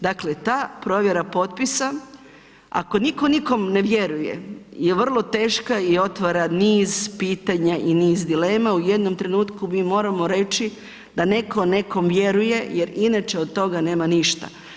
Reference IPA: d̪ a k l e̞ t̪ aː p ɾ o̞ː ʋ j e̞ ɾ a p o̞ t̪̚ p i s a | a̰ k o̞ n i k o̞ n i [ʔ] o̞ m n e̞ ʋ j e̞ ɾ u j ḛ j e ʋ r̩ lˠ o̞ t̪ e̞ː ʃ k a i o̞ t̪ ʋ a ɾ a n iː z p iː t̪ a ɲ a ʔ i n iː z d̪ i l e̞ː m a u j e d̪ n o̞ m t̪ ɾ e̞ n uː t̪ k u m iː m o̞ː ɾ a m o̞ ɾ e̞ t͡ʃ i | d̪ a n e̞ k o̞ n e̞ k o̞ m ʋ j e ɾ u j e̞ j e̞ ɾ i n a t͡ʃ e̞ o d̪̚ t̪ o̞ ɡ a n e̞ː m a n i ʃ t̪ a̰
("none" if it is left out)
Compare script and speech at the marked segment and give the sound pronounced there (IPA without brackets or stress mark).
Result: k